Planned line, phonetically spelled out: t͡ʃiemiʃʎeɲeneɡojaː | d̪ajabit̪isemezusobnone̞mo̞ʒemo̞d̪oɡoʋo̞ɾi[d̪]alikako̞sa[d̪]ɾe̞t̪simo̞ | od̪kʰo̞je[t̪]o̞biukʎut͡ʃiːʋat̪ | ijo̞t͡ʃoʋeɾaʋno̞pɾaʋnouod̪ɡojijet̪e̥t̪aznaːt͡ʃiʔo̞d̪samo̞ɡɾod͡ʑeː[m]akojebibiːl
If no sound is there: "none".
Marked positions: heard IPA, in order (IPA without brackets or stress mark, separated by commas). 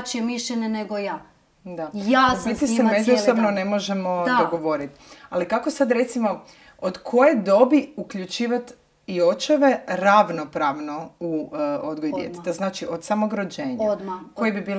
t̪, d̪, d̪, ɲ